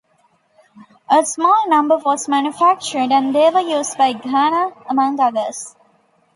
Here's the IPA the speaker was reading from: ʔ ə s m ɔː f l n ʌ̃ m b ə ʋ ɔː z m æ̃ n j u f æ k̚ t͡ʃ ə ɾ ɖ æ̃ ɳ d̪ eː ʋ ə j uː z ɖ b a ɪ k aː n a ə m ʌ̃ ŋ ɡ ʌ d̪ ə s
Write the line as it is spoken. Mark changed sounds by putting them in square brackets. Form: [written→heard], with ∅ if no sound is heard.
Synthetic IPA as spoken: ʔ ə s m ɔː [f→∅] l n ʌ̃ m b ə ʋ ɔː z m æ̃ n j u f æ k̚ t͡ʃ ə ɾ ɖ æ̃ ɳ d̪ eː ʋ ə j uː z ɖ b a ɪ [k→ɡ] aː n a ə m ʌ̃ ŋ ɡ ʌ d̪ ə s

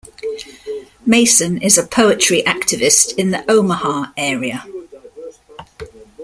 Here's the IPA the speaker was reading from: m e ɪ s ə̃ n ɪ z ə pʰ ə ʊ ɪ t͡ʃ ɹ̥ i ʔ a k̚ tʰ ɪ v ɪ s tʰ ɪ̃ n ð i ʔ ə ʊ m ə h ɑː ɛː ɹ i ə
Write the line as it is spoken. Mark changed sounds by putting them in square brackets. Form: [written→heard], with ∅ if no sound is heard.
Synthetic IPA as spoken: m e ɪ s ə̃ n ɪ z ə pʰ ə ʊ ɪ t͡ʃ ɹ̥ i ʔ a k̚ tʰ ɪ v ɪ s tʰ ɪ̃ n ð i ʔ ə ʊ m ə h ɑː ɛː ɹ i ə

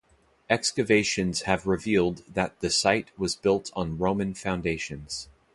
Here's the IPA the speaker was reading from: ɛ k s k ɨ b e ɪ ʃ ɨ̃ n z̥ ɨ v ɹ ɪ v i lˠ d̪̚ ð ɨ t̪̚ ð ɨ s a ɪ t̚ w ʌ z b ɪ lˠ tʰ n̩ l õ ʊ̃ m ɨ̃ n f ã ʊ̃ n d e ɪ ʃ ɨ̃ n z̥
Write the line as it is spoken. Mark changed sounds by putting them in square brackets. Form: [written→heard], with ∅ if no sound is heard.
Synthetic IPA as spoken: ɛ k s k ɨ [b→v] e ɪ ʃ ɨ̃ n z̥ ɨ v ɹ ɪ v i lˠ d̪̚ ð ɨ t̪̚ ð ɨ s a ɪ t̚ w ʌ z b ɪ lˠ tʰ n̩ [l→ɹ] õ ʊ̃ m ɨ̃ n f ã ʊ̃ n d e ɪ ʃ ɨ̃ n z̥

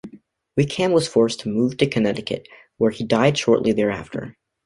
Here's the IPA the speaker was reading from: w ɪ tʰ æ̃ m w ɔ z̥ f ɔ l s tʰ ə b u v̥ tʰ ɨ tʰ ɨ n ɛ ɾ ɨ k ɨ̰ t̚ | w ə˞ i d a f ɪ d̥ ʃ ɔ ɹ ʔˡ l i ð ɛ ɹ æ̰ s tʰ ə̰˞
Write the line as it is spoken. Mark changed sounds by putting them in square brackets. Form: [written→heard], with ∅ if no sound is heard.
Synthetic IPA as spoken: w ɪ [tʰ→kʰ] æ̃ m w [ɔ→ʌ] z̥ f ɔ [l→ɹ] s tʰ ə [b→m] u v̥ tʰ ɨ [tʰ→kʰ] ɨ n ɛ ɾ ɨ k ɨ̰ t̚ | w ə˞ i d a [f→∅] ɪ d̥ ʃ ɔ ɹ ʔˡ l i ð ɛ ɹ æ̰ [s→f] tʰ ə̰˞

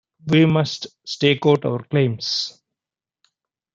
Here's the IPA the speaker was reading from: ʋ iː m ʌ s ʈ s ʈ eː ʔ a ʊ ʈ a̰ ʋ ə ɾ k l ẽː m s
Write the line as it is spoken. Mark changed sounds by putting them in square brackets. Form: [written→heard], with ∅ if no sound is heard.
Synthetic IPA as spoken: ʋ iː m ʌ s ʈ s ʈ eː [ʔ→k] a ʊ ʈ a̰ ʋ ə ɾ k l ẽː m s

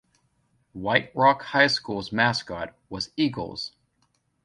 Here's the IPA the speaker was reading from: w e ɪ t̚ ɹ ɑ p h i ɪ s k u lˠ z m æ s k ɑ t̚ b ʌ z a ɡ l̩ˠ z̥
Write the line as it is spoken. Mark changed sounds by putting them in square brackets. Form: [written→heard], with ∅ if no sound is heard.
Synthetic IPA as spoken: w [e→a] ɪ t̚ ɹ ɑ [p→k] h [i→a] ɪ s k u lˠ z m æ s k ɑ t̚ [b→w] ʌ z [a→i] ɡ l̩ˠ z̥

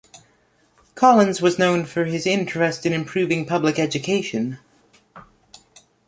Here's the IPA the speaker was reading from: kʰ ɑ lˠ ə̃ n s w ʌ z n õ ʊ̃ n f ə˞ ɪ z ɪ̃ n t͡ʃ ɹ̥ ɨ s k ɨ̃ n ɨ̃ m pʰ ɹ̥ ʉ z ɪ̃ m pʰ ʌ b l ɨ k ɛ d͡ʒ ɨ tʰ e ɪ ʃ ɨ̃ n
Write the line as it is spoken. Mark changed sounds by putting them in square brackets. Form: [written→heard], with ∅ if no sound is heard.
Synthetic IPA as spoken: kʰ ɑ lˠ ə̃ n [s→z] w ʌ z n õ ʊ̃ n f ə˞ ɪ z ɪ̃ n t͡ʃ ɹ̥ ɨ s [k→t] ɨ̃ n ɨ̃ m pʰ ɹ̥ ʉ [z→v] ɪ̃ [m→ŋ] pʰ ʌ b l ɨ k ɛ d͡ʒ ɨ [tʰ→kʰ] e ɪ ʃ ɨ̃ n

